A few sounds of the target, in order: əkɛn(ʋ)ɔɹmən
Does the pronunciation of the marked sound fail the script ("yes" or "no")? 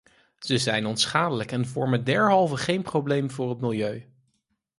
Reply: yes